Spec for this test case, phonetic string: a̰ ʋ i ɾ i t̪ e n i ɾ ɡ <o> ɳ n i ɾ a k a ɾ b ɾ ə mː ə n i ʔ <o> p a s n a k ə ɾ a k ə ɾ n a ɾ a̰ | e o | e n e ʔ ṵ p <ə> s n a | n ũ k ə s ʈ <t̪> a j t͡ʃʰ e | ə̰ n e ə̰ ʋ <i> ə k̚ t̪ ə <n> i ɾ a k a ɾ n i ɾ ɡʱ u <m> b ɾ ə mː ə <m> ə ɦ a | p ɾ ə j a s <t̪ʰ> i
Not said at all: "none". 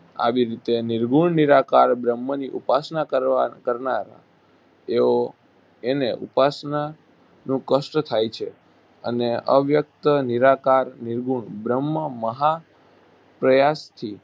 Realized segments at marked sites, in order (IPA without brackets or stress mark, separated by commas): u, u, a, t̪ʰ, j, n, ɳ, m, t̪ʰ